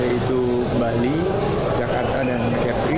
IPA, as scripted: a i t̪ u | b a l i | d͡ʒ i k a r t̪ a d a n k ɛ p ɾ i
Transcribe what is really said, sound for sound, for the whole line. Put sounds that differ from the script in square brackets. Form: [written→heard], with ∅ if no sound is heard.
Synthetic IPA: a i t̪ u | b a l i | d͡ʒ [i→a] k a r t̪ a d a n k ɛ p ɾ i